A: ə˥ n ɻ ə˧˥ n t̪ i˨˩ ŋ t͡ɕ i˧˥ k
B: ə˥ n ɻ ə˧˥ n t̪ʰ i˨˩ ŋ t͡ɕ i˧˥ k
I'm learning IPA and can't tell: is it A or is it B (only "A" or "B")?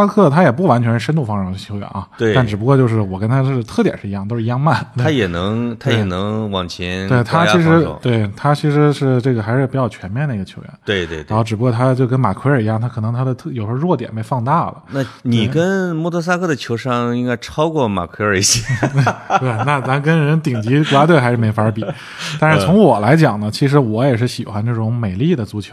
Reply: A